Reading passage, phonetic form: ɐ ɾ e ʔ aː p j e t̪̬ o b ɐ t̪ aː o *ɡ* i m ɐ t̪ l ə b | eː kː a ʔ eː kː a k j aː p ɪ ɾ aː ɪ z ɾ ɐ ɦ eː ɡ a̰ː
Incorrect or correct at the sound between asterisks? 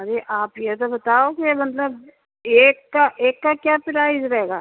incorrect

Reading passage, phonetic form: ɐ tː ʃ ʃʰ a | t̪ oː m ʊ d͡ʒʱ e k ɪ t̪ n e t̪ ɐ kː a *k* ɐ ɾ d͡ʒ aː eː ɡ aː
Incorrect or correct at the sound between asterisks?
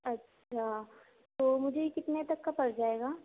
incorrect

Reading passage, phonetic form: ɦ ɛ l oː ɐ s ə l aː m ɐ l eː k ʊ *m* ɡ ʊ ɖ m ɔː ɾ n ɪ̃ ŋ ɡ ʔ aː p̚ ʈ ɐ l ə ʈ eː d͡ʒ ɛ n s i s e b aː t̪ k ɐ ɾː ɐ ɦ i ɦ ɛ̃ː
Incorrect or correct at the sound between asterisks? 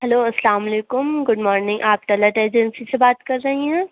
correct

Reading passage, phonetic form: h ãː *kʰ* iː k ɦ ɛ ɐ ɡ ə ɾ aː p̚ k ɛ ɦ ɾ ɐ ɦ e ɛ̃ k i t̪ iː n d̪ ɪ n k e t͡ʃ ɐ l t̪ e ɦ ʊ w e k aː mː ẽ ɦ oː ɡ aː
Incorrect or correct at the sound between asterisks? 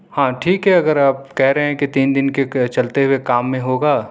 incorrect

